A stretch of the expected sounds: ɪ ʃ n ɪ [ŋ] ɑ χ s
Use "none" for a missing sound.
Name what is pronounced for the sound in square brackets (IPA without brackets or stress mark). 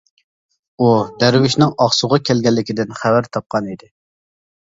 ŋ